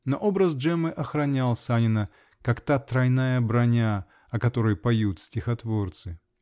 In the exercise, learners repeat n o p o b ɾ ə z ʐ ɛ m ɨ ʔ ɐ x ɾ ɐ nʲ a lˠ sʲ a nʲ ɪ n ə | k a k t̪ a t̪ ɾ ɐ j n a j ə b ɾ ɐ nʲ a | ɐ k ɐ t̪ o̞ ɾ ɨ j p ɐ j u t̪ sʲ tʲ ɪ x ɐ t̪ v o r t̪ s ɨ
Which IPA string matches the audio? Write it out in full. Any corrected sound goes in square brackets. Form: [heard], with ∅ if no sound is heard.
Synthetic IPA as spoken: n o [ʔ] o b ɾ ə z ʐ ɛ m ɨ ʔ ɐ x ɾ ɐ nʲ a lˠ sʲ a nʲ ɪ n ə | k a k t̪ a t̪ ɾ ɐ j n a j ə b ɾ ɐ nʲ a | ɐ k ɐ t̪ o̞ ɾ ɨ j p ɐ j u t̪ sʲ tʲ ɪ x ɐ t̪ v o r t̪ s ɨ